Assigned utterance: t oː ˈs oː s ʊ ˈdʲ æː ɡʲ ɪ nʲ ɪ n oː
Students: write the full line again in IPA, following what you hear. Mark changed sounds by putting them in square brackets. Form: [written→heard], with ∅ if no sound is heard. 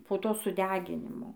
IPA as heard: [t→p] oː [ˈs→ˈt] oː s ʊ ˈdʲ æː ɡʲ ɪ nʲ ɪ [n→m] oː